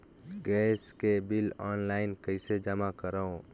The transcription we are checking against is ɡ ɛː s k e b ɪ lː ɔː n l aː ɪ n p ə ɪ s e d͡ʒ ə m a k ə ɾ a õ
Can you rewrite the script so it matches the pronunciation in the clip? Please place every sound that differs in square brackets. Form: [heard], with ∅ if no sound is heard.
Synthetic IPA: ɡ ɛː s k e b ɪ [l] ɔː n l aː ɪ n [k] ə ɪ s e d͡ʒ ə m a k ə ɾ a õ

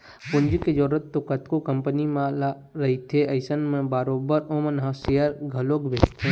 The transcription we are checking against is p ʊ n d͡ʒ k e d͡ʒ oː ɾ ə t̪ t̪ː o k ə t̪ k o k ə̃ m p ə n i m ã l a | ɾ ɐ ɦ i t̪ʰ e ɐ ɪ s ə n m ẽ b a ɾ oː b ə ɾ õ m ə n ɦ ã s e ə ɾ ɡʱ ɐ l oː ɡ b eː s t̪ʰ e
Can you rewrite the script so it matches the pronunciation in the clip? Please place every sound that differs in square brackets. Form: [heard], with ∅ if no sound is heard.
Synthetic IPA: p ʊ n d͡ʒ k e d͡ʒ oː ɾ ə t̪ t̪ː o k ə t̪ k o k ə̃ m p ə n i m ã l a | ɾ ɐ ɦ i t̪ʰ e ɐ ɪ s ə n m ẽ b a ɾ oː b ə ɾ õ m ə n ɦ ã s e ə ɾ ɡʱ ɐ l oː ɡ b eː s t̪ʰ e

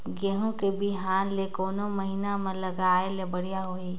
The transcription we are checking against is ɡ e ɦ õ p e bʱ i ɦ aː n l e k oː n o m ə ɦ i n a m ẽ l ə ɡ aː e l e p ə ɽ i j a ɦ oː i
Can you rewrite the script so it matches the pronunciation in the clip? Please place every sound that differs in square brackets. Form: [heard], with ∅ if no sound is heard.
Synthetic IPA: ɡ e ɦ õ [k] e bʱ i ɦ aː n l e k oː n o m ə ɦ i n a m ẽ l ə ɡ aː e l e [b] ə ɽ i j a ɦ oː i

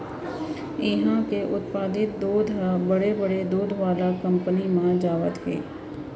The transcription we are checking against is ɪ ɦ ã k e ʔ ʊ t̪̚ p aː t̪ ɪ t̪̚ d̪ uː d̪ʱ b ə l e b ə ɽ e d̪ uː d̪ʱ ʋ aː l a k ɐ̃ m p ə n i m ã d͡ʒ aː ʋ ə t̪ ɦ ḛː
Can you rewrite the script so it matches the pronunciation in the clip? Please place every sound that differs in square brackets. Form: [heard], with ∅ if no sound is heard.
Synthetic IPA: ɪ ɦ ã k e ʔ ʊ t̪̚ p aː [d̪] ɪ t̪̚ d̪ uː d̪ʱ b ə [ɽ] e b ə ɽ e d̪ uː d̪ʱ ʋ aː l a k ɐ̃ m p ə n i m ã d͡ʒ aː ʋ ə t̪ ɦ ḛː

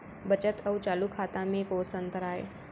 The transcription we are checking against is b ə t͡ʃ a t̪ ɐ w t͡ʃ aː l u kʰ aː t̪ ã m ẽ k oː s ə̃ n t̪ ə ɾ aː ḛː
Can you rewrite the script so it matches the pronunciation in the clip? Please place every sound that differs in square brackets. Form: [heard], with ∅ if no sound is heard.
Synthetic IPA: b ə t͡ʃ [ə] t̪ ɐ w t͡ʃ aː l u kʰ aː t̪ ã m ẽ k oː s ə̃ n t̪ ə ɾ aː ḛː

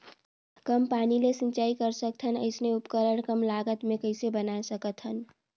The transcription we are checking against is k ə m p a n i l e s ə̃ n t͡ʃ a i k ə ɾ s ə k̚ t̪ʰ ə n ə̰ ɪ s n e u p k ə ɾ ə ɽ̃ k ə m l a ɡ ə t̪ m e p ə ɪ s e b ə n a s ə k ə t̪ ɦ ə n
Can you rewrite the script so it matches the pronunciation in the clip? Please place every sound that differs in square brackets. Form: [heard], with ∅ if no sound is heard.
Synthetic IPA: k ə m p a n i l e s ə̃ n t͡ʃ a i k ə ɾ s ə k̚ t̪ʰ ə n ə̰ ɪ s n e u p k ə ɾ ə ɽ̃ k ə m l a ɡ ə t̪ m e [k] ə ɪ s e b ə n a s ə k ə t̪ ɦ ə n

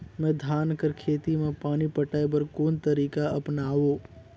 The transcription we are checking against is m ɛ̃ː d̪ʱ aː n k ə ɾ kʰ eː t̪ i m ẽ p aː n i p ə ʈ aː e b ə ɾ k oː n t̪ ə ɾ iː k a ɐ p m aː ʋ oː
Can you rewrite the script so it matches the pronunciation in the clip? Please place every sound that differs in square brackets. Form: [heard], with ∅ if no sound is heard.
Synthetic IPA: m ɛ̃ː d̪ʱ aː n k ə ɾ kʰ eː t̪ i m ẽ p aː n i p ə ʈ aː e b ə ɾ k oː n t̪ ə ɾ iː k a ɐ p [n] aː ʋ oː

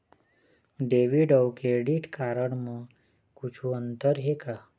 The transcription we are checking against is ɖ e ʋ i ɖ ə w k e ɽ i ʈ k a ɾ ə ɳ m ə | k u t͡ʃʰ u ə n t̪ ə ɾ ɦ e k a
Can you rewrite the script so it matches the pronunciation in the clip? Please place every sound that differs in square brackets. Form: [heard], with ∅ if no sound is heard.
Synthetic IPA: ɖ e ʋ i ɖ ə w k e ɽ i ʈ k a ɾ ə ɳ m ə | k u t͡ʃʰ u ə n t̪ ə ɾ ɦ e k a

